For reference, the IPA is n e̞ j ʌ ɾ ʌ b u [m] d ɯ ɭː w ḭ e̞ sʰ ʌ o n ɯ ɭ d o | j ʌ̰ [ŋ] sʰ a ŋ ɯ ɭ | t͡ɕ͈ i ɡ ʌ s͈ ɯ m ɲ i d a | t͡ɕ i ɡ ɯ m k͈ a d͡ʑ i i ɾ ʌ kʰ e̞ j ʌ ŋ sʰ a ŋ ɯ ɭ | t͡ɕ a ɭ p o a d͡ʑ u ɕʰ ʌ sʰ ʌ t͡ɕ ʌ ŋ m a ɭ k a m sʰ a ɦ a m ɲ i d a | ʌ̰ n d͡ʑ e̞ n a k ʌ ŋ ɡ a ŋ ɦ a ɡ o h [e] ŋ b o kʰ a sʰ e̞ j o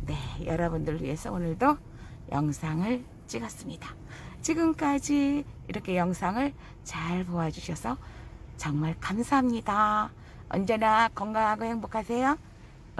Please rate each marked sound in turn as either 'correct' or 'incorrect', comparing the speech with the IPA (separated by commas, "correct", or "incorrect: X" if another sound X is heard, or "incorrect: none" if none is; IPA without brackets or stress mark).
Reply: incorrect: n, correct, correct